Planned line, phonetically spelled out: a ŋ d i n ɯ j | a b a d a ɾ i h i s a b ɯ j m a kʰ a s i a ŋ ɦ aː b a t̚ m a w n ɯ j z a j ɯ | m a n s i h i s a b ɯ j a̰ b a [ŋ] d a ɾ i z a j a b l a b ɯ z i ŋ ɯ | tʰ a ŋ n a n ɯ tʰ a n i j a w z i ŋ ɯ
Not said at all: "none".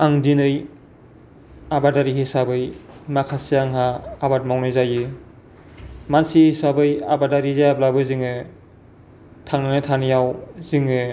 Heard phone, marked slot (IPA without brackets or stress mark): none